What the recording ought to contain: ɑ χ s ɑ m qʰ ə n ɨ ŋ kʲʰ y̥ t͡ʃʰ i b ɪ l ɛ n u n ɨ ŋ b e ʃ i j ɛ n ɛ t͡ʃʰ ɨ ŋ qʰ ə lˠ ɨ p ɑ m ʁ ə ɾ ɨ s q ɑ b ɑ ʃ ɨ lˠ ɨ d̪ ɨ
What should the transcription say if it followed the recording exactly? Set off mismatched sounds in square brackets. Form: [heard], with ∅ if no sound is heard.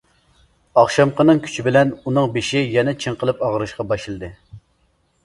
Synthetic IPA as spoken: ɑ χ [ʃ] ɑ m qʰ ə n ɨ ŋ kʲʰ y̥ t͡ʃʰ i b ɪ l ɛ n u n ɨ ŋ b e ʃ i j ɛ n ɛ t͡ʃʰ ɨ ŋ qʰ ə lˠ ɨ p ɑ [∅] ʁ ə ɾ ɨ [ʃ] q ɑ b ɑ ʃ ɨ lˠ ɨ d̪ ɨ